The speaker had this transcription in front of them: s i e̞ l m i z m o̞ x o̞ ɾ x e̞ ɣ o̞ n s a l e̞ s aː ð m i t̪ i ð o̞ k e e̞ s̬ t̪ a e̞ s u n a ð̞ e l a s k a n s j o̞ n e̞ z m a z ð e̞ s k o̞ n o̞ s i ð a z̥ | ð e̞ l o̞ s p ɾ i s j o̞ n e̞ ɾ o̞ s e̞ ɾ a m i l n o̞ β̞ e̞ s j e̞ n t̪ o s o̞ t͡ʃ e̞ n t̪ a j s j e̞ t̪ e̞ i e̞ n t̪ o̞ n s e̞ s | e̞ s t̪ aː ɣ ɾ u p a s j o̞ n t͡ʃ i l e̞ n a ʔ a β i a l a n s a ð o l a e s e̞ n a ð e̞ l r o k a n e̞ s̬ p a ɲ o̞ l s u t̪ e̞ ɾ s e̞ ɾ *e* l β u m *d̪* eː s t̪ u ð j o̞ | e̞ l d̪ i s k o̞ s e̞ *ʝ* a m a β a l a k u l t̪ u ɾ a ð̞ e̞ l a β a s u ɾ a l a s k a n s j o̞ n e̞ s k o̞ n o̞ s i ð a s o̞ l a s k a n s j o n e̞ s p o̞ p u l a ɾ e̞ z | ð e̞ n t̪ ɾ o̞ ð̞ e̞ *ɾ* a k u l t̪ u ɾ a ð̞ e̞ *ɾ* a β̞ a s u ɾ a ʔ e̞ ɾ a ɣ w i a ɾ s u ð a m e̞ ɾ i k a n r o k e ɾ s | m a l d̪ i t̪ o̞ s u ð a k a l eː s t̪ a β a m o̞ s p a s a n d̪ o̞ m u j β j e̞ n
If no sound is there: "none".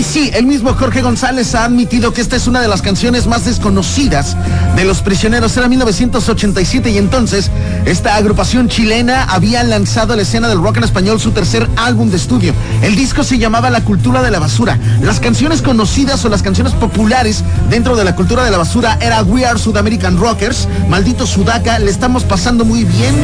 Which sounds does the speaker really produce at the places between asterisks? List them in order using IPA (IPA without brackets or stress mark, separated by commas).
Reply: a, d̪, ʝ, l, l